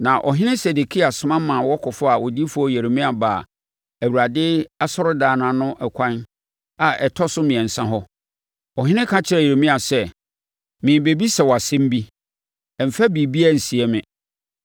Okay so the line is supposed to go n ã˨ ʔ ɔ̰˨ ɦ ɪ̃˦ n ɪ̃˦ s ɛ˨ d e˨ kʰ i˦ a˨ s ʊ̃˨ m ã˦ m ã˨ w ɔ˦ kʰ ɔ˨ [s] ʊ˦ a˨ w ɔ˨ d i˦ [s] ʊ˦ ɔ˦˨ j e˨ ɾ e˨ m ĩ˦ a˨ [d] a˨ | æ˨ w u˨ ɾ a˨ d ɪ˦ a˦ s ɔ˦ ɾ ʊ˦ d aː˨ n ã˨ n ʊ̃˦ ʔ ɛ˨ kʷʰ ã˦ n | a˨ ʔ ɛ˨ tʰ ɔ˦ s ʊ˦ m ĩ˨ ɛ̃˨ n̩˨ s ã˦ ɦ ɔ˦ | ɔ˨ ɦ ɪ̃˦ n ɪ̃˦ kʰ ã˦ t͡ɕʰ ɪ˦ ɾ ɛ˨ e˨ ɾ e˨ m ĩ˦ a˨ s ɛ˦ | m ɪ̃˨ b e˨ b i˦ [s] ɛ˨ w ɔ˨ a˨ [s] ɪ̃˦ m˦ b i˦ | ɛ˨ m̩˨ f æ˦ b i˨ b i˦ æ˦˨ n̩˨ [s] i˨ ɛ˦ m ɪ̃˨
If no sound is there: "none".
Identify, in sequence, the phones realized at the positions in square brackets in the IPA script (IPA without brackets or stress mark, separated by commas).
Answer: f, f, b, s, s, s